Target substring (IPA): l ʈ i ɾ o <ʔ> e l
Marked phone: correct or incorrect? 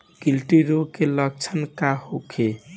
incorrect: k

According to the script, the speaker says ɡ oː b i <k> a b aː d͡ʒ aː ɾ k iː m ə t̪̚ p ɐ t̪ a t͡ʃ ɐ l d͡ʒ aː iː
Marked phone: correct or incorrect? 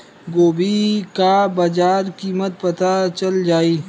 correct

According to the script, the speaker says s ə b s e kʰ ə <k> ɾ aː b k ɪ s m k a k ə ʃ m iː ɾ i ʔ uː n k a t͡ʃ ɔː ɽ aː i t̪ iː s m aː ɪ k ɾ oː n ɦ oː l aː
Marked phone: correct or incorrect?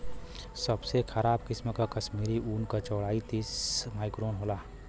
incorrect: none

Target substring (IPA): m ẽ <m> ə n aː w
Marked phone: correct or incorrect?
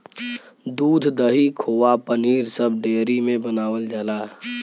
incorrect: b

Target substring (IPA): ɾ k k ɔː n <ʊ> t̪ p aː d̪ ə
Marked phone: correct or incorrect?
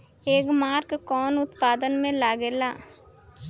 correct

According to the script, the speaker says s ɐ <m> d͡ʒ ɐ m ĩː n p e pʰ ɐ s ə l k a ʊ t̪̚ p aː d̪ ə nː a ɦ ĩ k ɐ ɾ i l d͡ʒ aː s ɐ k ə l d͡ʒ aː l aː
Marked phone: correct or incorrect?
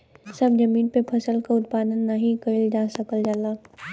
incorrect: b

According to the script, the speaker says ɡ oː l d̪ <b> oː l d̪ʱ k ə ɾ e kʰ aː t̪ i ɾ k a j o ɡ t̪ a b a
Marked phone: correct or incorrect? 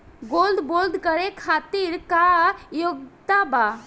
correct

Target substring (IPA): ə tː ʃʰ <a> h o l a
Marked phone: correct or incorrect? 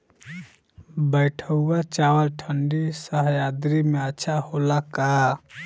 correct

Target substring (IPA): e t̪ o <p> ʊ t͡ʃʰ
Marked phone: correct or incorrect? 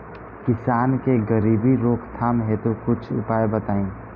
incorrect: k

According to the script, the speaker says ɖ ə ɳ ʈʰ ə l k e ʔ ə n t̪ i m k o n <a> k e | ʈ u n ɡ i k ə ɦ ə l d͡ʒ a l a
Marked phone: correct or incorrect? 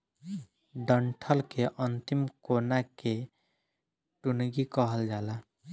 correct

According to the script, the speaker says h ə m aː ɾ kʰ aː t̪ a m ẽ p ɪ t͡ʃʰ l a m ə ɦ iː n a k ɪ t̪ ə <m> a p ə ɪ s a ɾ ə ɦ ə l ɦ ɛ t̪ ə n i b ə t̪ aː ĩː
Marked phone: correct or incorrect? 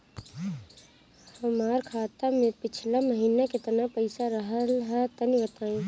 incorrect: n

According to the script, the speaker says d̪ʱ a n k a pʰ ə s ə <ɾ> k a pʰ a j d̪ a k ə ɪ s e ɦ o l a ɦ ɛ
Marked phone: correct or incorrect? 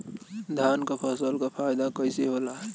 incorrect: l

